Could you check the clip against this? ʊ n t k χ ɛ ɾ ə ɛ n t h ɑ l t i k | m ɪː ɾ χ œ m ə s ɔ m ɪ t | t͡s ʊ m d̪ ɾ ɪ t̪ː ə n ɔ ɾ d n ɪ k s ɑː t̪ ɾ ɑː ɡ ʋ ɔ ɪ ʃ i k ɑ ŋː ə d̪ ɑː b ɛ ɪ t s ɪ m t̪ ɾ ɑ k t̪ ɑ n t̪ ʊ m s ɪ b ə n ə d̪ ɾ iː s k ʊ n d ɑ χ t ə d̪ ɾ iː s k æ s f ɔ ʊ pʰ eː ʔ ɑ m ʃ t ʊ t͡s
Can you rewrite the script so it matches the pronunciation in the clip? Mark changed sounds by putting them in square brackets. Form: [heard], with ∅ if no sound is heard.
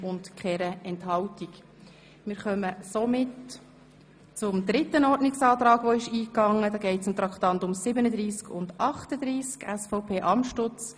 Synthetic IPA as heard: ʊ n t k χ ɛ ɾ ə ɛ n t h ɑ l t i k | m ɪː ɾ χ œ m ə s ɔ m ɪ t | t͡s ʊ m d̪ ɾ ɪ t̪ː ə n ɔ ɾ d n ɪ k s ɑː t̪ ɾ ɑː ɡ ʋ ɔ ɪ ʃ [iː] k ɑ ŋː ə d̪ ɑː [ɡ] ɛ ɪ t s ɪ m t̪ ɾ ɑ k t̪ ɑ n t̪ ʊ m s ɪ b ə n ə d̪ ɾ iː s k ʊ n d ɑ χ t ə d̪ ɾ iː s k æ s f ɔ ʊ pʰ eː ʔ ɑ m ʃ t ʊ t͡s

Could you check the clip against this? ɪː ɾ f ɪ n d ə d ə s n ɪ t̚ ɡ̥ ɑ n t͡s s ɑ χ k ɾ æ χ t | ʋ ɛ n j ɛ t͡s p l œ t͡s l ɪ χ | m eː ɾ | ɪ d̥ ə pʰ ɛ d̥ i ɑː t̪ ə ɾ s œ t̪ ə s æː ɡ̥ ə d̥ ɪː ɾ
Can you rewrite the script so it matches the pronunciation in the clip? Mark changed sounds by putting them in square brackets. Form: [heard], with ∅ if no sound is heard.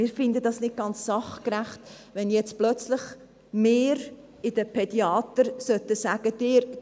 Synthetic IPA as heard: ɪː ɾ f ɪ n d ə d [ɑ] s n ɪ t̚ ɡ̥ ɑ n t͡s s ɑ χ k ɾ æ χ t | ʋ ɛ n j ɛ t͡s p l œ t͡s l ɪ χ | m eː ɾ | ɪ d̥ ə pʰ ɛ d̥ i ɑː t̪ ə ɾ s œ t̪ ə s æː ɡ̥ ə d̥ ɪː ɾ

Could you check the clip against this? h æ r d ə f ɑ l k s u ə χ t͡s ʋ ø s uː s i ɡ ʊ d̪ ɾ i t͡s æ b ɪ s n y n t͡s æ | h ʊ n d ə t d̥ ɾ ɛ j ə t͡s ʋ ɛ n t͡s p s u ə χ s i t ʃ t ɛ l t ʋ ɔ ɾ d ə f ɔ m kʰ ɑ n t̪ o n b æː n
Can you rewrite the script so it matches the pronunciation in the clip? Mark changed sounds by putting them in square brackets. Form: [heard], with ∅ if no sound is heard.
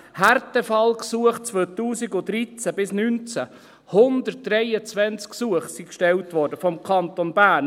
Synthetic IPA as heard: h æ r [t] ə f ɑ l k s u ə χ t͡s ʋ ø [t] uː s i ɡ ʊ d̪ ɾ i t͡s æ b ɪ s n y n t͡s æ | h ʊ n d ə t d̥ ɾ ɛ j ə t͡s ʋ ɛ n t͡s [k] s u ə χ s i [k] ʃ t ɛ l t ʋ ɔ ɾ d ə f ɔ m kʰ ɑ n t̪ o n b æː n

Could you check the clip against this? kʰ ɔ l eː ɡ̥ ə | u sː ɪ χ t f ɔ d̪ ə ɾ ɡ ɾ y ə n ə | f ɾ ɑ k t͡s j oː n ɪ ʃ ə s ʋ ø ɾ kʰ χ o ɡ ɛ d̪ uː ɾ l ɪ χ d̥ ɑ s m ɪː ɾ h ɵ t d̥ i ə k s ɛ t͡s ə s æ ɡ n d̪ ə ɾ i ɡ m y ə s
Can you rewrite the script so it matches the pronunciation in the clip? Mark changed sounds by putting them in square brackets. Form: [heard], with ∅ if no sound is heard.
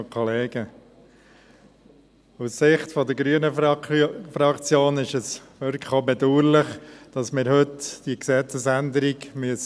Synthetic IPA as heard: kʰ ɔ l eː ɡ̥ ə | u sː ɪ χ t f ɔ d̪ ə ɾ ɡ ɾ y ə n ə | f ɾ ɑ k t͡s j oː n ɪ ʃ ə s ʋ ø ɾ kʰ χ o [b] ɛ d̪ uː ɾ l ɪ χ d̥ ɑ s m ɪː ɾ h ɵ t d̥ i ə k s ɛ t͡s ə s æ [∅] n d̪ ə ɾ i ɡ m y ə s

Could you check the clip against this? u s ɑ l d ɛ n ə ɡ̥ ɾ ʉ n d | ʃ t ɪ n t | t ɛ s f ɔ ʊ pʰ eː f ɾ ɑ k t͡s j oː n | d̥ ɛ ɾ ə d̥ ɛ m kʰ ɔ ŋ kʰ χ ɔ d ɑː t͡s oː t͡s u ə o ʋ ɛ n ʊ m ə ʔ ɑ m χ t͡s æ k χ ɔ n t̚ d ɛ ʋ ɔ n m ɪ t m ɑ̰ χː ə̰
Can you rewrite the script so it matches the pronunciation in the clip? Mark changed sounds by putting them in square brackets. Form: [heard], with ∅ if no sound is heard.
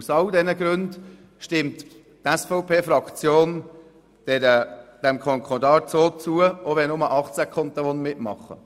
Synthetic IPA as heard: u s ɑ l d ɛ n ə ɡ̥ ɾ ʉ n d | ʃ t ɪ [m] t | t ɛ s f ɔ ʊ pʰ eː f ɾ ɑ k t͡s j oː n | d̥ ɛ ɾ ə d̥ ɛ m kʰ ɔ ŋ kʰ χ ɔ d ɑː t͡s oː t͡s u ə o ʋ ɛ n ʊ m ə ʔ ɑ [∅] χ t͡s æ k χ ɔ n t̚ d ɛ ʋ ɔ n m ɪ t m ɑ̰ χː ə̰

